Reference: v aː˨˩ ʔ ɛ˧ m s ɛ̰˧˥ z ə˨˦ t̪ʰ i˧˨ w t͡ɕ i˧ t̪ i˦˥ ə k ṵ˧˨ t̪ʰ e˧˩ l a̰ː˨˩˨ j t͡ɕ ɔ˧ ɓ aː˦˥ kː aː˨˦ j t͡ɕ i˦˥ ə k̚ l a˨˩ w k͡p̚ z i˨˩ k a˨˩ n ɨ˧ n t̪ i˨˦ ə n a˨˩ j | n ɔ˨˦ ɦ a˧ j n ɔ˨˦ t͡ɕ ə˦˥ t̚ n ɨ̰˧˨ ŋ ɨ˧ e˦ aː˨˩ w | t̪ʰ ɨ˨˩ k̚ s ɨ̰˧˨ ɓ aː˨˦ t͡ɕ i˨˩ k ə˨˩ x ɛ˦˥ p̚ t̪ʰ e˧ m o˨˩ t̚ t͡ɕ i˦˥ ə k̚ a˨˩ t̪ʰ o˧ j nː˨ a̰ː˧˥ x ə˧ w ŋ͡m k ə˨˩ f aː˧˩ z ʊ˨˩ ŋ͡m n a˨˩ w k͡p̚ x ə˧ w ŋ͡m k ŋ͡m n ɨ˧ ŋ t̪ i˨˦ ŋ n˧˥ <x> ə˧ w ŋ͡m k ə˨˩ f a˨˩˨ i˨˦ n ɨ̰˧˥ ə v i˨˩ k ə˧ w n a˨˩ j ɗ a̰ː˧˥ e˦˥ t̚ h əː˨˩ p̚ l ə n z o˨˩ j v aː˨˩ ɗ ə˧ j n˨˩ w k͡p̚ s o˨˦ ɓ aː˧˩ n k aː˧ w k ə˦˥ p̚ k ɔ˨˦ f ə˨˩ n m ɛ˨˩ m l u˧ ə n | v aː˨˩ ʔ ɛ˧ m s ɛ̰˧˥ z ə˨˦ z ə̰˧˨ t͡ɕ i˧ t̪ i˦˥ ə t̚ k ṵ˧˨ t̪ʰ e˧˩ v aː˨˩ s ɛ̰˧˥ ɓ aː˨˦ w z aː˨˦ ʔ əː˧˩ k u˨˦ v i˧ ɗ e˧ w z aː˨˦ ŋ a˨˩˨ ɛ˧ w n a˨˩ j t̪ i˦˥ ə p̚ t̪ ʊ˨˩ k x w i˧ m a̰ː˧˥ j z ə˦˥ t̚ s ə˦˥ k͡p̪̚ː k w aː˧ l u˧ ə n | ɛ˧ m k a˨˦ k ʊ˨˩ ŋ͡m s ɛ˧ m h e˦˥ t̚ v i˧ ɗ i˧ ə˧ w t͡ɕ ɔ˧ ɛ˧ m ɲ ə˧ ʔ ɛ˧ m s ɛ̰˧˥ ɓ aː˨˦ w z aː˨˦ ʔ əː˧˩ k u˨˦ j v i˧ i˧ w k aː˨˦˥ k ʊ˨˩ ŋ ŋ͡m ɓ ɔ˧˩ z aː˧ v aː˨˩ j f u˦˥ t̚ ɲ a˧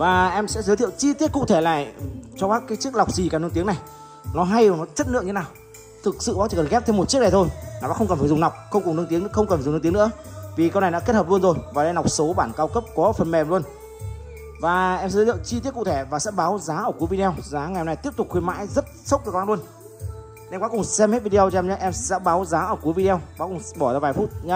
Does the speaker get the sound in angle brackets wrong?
no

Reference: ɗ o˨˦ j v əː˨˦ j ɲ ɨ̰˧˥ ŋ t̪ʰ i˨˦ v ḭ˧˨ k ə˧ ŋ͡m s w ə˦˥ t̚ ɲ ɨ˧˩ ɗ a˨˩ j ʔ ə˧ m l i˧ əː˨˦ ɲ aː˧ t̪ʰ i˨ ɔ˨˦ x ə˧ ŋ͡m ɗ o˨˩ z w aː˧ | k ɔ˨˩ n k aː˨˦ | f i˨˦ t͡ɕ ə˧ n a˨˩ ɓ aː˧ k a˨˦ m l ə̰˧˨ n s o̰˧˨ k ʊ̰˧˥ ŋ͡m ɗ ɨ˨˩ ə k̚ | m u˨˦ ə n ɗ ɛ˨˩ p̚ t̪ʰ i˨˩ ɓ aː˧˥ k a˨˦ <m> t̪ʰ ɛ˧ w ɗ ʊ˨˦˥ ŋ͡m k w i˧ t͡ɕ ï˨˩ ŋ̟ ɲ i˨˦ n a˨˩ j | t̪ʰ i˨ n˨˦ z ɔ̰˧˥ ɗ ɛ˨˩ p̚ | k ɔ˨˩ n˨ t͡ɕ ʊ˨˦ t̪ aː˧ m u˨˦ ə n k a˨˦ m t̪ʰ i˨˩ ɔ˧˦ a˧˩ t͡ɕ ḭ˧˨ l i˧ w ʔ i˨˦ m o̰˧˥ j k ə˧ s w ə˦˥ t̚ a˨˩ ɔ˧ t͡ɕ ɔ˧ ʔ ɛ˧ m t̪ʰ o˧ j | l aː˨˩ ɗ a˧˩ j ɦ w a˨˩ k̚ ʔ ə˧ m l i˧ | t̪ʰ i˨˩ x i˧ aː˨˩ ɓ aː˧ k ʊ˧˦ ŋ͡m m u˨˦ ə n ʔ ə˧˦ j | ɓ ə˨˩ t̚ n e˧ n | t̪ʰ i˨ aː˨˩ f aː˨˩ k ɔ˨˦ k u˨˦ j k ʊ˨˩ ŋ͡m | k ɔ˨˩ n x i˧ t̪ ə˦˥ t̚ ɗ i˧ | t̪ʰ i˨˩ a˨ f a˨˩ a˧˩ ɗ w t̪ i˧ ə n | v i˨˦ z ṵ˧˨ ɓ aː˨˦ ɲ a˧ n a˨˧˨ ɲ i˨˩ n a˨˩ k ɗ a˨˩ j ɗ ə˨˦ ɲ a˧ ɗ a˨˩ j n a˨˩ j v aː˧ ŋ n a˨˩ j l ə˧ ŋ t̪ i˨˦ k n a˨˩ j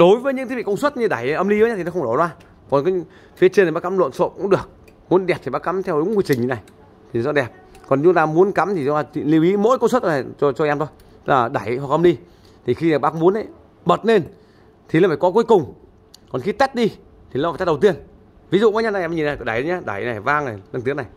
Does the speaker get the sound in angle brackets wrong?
no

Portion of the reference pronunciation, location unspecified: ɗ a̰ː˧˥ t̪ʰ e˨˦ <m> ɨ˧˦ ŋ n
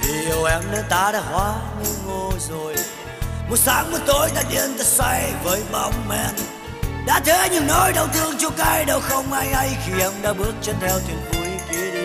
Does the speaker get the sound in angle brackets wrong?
yes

